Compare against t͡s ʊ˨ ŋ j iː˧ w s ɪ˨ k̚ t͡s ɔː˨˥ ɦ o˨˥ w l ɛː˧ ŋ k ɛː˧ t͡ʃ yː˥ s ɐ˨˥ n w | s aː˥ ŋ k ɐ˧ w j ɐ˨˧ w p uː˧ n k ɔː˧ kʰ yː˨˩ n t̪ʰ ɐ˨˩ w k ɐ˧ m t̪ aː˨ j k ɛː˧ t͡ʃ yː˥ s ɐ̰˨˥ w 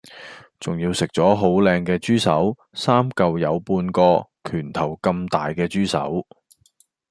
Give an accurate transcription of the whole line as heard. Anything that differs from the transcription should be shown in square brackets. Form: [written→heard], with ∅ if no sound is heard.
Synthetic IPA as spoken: t͡s ʊ˨ ŋ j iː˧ w s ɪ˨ k̚ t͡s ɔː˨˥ ɦ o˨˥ w l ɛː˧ ŋ k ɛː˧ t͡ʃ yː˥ s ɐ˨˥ [n→∅] w | s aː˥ [ŋ→m] k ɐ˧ w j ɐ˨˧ w p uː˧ n k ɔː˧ kʰ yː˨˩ n t̪ʰ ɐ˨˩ w k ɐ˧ m t̪ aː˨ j k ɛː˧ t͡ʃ yː˥ s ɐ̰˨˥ w